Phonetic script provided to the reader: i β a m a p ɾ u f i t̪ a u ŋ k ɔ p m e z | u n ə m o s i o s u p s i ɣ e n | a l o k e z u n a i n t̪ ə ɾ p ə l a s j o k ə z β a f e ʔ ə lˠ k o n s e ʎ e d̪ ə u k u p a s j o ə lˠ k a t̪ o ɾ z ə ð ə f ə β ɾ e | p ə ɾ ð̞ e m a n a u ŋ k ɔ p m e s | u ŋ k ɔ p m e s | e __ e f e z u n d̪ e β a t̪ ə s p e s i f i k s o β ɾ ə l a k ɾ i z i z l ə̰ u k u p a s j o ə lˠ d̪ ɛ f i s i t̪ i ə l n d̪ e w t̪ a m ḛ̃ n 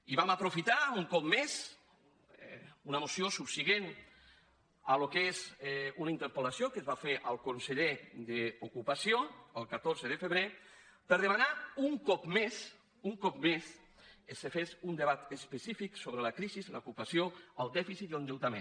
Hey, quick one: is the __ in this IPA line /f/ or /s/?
s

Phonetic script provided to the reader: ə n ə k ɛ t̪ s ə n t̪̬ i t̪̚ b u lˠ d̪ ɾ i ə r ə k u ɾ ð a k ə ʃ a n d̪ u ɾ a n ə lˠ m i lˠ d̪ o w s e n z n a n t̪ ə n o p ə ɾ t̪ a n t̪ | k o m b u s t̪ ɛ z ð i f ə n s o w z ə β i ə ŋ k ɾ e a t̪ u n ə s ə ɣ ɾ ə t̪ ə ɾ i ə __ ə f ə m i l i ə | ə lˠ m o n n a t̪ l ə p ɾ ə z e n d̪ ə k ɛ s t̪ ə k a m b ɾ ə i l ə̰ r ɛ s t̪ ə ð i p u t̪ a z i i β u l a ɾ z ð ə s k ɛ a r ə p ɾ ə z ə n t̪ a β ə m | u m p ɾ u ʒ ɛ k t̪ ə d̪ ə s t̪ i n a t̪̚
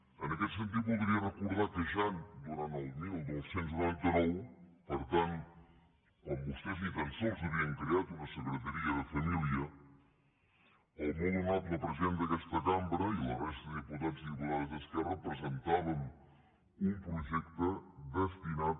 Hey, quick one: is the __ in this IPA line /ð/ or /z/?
ð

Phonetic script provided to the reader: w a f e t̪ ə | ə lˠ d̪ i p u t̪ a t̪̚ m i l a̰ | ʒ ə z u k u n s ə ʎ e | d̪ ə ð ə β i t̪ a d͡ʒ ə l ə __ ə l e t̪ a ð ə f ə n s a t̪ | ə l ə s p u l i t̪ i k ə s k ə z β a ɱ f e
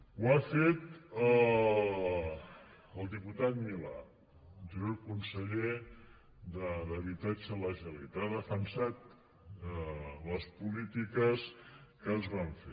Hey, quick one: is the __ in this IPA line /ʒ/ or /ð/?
ʒ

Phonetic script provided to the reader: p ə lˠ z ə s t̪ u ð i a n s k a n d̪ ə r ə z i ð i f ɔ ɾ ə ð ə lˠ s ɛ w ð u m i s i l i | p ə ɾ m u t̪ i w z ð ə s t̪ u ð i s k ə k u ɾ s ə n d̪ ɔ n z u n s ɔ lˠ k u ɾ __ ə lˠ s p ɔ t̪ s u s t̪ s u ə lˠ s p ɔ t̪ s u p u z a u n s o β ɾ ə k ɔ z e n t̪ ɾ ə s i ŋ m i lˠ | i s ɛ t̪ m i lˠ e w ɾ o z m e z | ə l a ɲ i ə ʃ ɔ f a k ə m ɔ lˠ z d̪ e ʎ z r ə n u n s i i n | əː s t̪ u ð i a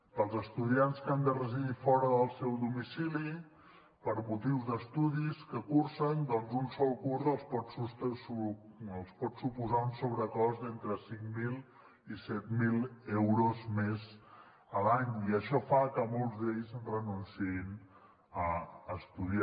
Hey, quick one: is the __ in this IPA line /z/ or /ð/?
z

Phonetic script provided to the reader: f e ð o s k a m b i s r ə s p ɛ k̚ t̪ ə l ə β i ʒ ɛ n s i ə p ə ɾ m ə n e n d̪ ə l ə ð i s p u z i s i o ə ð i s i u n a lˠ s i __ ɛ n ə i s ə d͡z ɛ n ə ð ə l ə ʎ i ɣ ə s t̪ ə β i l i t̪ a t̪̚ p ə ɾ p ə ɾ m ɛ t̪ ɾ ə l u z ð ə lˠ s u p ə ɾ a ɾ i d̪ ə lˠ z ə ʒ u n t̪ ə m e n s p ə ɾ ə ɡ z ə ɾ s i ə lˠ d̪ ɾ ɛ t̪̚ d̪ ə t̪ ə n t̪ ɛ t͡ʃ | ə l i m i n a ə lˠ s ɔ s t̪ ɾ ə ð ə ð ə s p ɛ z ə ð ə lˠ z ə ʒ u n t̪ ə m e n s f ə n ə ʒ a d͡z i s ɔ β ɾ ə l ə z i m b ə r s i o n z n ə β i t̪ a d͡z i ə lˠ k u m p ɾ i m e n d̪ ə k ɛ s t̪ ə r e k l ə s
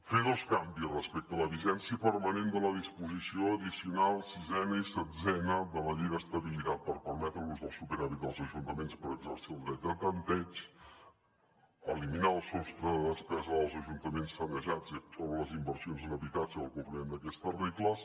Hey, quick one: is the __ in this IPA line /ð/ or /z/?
z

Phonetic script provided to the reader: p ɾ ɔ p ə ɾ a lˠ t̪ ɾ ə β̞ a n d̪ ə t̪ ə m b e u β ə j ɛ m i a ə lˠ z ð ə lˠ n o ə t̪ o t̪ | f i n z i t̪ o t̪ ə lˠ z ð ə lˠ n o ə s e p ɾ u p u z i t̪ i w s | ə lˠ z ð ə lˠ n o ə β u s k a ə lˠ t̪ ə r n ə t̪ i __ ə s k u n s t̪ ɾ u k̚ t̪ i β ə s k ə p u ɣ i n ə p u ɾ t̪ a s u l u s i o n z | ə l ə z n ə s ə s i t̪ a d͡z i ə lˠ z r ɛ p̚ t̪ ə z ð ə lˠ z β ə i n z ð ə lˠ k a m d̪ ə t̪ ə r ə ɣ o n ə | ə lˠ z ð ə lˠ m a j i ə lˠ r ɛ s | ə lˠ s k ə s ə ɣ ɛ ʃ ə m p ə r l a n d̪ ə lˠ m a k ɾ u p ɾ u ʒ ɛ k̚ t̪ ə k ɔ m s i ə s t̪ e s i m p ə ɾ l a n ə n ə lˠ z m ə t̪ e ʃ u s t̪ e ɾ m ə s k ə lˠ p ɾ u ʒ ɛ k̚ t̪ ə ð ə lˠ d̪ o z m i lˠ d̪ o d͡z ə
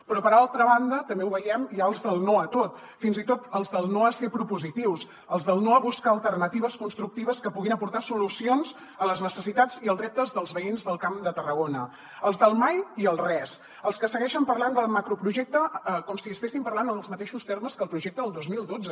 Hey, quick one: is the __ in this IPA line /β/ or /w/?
β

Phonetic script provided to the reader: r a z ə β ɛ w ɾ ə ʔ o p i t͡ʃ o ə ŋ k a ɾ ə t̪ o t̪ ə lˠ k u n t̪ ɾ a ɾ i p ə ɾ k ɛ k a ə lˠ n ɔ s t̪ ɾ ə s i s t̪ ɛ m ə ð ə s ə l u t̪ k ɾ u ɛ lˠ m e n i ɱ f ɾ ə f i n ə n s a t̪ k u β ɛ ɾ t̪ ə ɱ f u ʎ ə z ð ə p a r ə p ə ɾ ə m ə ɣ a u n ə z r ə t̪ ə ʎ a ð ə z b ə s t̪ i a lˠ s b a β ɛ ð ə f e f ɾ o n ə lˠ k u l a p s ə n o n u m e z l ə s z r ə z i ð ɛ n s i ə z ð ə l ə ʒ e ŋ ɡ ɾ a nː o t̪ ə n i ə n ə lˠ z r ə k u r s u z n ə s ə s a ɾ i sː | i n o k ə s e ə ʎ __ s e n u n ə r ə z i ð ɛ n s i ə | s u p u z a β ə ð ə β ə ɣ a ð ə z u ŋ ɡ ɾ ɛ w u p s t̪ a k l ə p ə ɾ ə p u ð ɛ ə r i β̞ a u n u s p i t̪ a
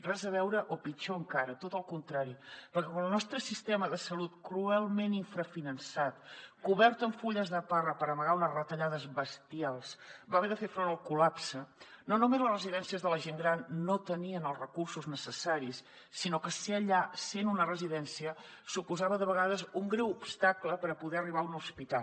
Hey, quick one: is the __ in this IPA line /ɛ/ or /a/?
a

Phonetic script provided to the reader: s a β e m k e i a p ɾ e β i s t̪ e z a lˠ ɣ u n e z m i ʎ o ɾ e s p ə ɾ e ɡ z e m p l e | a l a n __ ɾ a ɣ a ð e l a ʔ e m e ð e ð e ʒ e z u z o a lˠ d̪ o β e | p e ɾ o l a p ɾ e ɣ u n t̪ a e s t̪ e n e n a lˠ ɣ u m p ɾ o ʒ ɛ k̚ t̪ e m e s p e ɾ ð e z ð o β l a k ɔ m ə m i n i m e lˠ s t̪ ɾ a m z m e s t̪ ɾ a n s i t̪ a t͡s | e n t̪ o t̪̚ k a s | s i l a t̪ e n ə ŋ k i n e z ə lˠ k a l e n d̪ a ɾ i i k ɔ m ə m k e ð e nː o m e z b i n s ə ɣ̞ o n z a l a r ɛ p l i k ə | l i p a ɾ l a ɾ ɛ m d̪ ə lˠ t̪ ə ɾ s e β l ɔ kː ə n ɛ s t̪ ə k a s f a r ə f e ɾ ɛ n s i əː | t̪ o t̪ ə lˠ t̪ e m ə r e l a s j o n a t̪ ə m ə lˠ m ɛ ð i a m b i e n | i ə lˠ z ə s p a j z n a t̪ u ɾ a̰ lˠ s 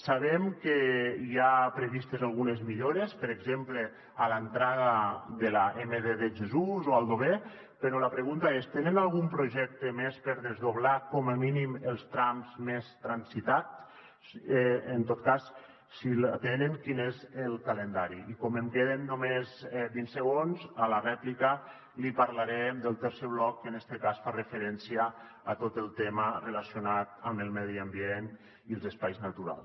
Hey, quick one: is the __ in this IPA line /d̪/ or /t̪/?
t̪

